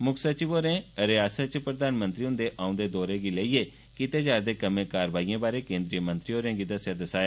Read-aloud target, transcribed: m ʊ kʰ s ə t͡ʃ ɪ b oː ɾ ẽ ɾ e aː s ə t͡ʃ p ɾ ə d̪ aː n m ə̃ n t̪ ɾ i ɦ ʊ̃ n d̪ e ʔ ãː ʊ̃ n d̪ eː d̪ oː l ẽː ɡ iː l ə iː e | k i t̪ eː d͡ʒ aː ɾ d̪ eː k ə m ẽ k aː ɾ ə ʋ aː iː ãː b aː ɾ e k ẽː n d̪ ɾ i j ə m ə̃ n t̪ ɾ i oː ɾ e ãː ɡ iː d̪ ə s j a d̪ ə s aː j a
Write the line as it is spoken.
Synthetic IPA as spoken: m ʊ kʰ s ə t͡ʃ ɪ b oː ɾ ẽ ɾ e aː s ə t͡ʃ p ɾ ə d̪ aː n m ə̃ n t̪ ɾ i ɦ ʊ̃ n d̪ e ʔ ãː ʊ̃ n d̪ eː d̪ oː ɾ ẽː ɡ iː l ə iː e | k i t̪ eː d͡ʒ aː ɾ d̪ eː k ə m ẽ k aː ɾ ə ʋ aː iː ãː b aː ɾ e k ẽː n d̪ ɾ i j ə m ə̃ n t̪ ɾ i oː ɾ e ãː ɡ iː d̪ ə s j a d̪ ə s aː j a